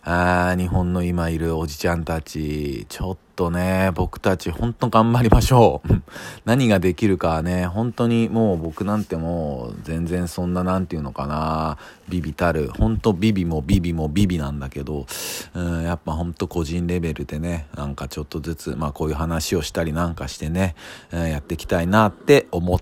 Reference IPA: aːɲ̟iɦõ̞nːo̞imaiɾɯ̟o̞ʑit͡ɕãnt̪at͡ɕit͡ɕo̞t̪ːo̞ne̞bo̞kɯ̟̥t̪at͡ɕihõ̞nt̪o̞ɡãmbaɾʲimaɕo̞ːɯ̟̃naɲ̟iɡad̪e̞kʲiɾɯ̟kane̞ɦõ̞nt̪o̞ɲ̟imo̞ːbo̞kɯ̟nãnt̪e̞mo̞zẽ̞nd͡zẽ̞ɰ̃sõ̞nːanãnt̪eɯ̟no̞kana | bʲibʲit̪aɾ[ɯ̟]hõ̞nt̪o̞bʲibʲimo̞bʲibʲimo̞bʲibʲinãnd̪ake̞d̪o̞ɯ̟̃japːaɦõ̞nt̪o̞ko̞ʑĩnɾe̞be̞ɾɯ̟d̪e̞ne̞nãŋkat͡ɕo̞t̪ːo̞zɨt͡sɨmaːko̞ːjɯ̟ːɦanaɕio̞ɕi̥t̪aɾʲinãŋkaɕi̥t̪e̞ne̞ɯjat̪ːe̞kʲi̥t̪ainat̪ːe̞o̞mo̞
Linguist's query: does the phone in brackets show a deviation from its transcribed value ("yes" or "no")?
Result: no